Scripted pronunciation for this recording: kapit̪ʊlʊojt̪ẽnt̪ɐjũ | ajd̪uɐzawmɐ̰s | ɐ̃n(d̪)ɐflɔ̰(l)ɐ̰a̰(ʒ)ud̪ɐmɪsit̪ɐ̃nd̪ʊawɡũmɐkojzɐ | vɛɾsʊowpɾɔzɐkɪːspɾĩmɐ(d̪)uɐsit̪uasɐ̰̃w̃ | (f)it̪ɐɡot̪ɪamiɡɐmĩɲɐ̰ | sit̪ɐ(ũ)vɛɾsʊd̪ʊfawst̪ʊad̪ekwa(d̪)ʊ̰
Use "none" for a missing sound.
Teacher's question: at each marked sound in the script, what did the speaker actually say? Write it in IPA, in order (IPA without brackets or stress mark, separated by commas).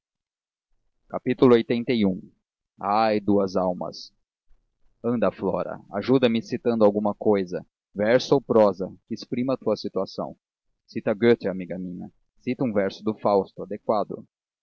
d̪, ɾ, ʒ, t̪, s, ũ, d̪